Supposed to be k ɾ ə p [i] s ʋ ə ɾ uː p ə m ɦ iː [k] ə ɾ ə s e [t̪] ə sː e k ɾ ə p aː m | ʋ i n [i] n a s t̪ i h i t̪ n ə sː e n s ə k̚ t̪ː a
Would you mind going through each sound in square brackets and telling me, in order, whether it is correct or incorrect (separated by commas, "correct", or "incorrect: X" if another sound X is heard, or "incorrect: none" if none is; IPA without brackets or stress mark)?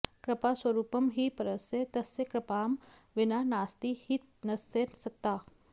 incorrect: a, incorrect: p, correct, incorrect: a